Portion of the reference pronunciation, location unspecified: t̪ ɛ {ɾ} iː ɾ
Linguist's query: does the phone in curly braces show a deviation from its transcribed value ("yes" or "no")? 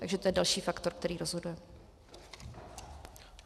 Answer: no